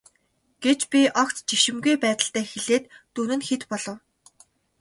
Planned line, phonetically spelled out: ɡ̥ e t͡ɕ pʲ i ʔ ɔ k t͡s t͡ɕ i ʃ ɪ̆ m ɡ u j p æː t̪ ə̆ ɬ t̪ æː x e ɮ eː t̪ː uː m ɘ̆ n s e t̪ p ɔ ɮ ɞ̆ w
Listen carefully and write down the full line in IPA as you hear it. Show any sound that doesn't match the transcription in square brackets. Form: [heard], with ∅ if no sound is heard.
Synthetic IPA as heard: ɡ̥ e t͡ɕ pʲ i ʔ ɔ k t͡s t͡ɕ i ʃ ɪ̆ m ɡ u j p æː t̪ ə̆ ɬ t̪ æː x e ɮ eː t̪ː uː [n] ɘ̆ n [x] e t̪ p ɔ ɮ ɞ̆ w